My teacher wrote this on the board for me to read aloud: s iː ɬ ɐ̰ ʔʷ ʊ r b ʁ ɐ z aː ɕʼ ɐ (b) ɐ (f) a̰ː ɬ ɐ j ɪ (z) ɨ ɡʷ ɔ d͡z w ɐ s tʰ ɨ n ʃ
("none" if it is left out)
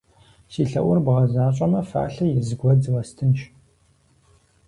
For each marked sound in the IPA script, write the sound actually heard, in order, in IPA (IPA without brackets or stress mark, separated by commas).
m, f, z